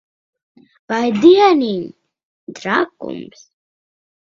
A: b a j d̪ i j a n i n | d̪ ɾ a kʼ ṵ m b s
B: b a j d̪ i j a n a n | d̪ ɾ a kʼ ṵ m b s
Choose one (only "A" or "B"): A